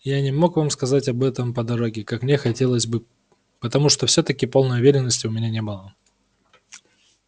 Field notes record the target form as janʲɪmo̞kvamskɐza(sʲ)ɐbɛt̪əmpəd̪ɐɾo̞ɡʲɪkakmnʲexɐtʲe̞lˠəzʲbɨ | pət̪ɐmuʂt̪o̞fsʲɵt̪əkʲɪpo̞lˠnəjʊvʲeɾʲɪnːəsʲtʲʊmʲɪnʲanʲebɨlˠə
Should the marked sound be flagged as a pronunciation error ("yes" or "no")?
yes